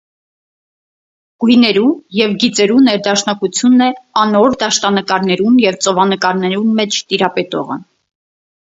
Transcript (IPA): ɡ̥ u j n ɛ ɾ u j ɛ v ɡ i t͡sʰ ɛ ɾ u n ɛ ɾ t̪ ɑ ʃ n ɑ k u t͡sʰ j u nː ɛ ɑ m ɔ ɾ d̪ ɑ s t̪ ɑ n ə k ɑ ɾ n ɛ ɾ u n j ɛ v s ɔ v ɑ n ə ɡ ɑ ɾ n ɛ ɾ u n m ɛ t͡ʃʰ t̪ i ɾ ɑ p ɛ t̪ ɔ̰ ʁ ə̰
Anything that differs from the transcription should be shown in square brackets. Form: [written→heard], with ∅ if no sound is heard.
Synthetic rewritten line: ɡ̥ u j n ɛ ɾ u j ɛ v ɡ i [t͡sʰ→t͡s] ɛ ɾ u n ɛ ɾ [t̪→d̪] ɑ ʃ n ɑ k u t͡sʰ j u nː ɛ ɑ [m→n] ɔ ɾ d̪ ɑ [s→ʃ] t̪ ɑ n ə k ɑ ɾ n ɛ ɾ u n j ɛ v [s→t͡s] ɔ v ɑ n ə [ɡ→k] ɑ ɾ n ɛ ɾ u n m ɛ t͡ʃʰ t̪ i ɾ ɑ p ɛ t̪ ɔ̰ ʁ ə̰